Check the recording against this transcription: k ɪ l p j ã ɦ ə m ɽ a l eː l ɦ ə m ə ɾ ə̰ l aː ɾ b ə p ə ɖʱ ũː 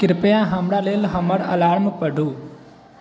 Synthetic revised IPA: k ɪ ɾ p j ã ɦ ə m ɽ a l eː l ɦ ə m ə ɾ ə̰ l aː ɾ m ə p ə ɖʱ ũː